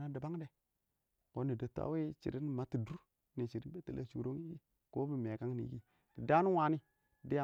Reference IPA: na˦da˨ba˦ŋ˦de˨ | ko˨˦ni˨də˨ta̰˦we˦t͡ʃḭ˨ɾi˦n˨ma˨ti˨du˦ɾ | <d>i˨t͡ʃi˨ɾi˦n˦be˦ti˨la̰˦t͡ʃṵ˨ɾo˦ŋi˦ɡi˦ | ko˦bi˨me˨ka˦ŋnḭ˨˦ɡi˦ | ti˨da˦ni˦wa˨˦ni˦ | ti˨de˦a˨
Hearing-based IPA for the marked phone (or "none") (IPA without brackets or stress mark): n